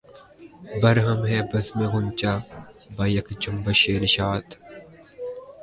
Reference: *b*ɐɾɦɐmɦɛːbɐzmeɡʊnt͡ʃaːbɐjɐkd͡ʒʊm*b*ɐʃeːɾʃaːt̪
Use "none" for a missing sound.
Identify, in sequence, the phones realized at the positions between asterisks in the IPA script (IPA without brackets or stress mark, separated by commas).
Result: b, b